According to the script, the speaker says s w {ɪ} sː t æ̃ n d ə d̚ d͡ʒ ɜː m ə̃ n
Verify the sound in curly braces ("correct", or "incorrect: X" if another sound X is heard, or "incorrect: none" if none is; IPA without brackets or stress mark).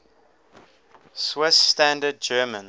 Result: correct